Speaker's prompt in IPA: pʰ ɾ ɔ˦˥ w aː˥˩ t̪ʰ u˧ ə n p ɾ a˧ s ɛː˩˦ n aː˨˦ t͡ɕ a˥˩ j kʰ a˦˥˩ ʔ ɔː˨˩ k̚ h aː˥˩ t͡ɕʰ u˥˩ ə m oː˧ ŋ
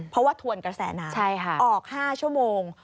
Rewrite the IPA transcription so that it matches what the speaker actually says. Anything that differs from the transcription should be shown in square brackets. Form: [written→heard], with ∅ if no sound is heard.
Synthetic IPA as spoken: pʰ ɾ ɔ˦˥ w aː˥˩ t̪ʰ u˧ ə n [p→k] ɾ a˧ s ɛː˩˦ n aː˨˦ [t͡ɕ→t͡ɕʰ] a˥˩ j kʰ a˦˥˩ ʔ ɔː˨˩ k̚ h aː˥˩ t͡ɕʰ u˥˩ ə m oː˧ ŋ